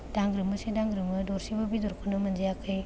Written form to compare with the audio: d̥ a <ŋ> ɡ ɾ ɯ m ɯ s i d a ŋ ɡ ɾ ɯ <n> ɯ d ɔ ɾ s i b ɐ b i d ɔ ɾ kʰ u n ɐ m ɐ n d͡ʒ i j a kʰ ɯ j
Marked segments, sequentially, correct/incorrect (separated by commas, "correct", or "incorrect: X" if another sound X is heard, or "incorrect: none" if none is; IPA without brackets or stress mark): correct, incorrect: m